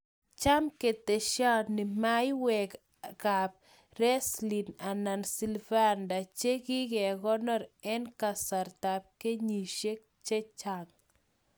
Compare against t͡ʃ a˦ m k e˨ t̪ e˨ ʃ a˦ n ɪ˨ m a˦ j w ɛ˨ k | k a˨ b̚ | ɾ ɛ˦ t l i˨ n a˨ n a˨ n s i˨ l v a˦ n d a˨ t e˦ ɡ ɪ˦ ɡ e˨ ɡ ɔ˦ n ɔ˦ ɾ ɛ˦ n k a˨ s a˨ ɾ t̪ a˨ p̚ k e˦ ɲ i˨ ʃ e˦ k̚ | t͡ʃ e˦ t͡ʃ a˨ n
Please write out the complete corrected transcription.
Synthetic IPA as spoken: t͡ʃ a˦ m k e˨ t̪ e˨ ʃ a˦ n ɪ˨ m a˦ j w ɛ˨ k | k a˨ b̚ | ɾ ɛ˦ s l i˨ n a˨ n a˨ n s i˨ l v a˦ n d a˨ t͡ʃ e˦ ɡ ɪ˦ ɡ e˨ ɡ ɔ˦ n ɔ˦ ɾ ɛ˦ n k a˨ s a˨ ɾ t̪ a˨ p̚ k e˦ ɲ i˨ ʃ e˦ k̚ | t͡ʃ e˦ t͡ʃ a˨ ŋ